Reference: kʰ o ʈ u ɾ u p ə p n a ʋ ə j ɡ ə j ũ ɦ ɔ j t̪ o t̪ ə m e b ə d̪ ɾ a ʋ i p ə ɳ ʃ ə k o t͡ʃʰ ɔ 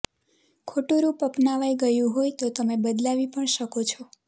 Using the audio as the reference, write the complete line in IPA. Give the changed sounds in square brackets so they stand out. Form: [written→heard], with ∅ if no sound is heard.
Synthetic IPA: kʰ o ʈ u ɾ u p ə p n a ʋ [ə→a] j ɡ ə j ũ ɦ [ɔ→o] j t̪ o t̪ ə m e b ə d̪ [ɾ→l] a ʋ i p ə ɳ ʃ ə k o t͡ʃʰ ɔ